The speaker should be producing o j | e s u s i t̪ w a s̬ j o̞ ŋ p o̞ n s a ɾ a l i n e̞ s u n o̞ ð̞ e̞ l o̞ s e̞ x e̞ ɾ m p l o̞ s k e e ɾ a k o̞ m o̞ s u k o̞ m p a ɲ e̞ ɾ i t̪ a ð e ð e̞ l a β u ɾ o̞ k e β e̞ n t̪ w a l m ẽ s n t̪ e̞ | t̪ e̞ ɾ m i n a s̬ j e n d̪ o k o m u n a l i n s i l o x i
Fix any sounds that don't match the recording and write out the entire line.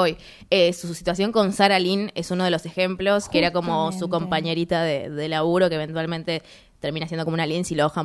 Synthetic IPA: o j | e s u s i t̪ w a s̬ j o̞ ŋ k o̞ n s a ɾ a l i n e̞ s u n o̞ ð̞ e̞ l o̞ s e̞ x e̞ m p l o̞ s k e e ɾ a k o̞ m o̞ s u k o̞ m p a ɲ e̞ ɾ i t̪ a ð e ð e̞ l a β u ɾ o̞ k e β e̞ n t̪ w a l m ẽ n t̪ e̞ | t̪ e̞ ɾ m i n a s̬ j e n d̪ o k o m u n a l i n s i l o x a